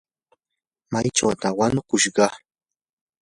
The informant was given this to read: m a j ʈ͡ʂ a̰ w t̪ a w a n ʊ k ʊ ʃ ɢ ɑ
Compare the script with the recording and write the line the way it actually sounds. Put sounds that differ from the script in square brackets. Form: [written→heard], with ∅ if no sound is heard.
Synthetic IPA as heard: m a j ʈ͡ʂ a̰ w t̪ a w a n ʊ k ʊ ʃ ɢ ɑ